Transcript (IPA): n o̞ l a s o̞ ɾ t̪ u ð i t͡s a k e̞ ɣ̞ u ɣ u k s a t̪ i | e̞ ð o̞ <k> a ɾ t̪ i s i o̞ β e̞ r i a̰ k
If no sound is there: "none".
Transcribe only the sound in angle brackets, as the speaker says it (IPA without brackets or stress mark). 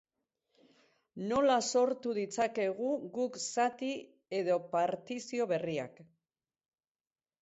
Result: p